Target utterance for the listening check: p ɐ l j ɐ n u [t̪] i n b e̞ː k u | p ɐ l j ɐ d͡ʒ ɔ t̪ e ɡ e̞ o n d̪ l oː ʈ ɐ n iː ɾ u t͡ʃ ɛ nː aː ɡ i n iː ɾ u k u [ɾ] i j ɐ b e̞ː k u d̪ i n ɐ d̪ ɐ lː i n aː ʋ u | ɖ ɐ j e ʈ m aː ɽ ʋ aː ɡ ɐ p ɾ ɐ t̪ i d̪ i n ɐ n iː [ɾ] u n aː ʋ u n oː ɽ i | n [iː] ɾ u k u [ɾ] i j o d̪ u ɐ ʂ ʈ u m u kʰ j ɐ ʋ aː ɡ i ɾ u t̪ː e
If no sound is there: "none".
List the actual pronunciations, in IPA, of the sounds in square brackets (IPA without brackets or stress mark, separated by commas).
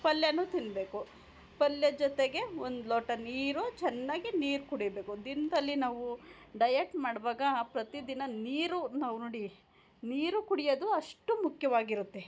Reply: t̪, ɽ, ɾ, iː, ɽ